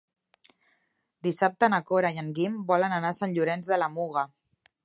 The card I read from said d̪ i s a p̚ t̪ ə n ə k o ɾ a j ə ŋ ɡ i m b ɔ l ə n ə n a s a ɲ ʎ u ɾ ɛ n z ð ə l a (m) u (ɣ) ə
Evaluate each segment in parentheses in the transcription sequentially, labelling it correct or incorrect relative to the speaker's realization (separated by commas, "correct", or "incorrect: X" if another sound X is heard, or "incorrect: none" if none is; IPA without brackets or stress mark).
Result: correct, correct